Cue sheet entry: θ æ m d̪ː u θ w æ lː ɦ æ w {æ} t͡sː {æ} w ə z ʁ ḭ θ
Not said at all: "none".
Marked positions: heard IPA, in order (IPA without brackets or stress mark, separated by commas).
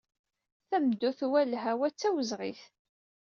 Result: æ, æ